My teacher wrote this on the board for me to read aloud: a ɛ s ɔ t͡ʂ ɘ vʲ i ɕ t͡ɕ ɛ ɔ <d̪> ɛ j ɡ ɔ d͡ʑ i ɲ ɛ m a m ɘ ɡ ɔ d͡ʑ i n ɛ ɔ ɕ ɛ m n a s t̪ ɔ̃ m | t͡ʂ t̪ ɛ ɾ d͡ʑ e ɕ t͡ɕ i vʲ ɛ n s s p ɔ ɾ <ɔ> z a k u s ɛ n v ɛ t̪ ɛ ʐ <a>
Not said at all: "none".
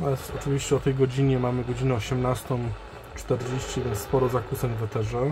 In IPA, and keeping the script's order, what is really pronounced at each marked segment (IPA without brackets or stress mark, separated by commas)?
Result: t̪, ɔ, ɛ